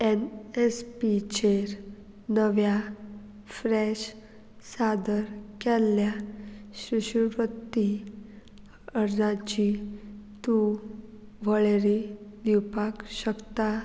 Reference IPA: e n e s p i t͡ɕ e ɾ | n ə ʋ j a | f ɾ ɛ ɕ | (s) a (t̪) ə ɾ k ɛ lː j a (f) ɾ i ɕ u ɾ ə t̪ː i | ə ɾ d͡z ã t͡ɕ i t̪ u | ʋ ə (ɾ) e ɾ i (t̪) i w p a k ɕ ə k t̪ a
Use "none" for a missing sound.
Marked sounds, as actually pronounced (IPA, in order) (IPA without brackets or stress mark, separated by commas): s, d̪, ɕ, ɭ, d̪